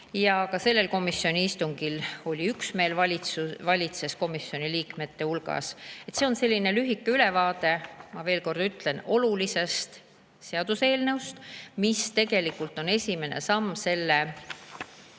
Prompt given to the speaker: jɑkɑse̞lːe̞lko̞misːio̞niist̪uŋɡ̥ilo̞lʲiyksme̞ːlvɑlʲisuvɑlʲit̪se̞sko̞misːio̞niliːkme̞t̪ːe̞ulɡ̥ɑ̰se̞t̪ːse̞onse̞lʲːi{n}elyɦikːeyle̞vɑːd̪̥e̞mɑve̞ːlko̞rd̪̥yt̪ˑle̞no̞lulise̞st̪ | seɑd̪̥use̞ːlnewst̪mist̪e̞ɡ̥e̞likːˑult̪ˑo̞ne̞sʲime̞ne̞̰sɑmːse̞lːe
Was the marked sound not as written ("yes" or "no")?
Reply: no